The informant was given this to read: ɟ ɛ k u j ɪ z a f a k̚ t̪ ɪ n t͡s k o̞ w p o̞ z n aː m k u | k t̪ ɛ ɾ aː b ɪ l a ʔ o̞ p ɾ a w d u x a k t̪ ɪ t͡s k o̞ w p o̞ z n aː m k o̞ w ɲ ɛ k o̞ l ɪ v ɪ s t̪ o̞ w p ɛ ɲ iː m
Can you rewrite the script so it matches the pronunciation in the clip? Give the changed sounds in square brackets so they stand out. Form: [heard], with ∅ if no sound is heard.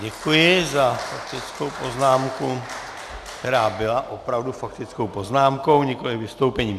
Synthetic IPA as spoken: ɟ ɛ k u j ɪ z a f a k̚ t̪ ɪ [∅] t͡s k o̞ w p o̞ z n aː m k u | k t̪ ɛ ɾ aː b ɪ l a ʔ o̞ p ɾ a [v] d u [f] a k t̪ ɪ t͡s k o̞ w p o̞ z n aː m k o̞ w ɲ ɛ k o̞ l ɪ v ɪ s t̪ o̞ w p ɛ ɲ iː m